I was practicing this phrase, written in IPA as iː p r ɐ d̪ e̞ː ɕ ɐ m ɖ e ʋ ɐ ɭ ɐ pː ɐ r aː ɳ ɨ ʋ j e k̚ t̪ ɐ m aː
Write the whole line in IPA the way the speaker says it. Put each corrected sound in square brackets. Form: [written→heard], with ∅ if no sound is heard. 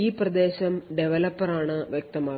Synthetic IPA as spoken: iː p r ɐ d̪ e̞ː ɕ ɐ m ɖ e ʋ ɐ [ɭ→l] ɐ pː ɐ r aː ɳ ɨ ʋ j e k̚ t̪ ɐ m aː